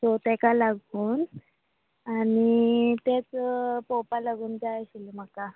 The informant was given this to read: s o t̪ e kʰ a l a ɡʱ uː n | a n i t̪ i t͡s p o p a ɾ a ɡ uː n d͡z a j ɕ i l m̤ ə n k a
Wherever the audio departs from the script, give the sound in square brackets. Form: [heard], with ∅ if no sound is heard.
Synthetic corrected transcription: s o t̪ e [k] a l a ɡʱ uː n | a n i t̪ [e] t͡s p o p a [l] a ɡ uː n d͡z a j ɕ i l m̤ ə [∅] k a